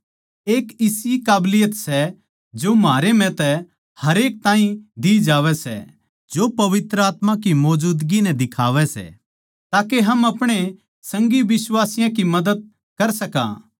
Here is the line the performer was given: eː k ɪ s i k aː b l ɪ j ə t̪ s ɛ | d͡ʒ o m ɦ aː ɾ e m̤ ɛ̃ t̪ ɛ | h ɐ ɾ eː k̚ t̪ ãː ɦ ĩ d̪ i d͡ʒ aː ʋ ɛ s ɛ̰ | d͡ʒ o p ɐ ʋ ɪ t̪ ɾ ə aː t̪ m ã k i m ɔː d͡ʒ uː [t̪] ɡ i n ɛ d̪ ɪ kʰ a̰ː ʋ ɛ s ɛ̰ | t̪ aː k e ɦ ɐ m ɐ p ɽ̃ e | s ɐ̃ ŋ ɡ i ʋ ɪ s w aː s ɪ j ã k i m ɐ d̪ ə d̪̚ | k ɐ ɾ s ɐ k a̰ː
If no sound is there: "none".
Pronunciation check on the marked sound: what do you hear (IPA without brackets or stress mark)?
d̪